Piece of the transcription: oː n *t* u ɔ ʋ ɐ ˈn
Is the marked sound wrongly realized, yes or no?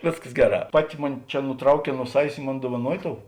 yes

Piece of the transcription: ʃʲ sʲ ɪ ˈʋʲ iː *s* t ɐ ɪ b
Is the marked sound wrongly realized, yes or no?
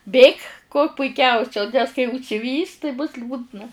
no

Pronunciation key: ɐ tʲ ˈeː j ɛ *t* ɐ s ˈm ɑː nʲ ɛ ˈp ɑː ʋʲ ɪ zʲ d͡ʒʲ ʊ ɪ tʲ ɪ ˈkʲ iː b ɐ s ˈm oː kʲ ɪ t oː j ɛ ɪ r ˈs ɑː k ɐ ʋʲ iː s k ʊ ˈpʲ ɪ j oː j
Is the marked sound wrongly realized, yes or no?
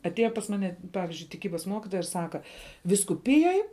yes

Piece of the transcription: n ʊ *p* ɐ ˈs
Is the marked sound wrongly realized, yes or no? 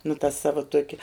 yes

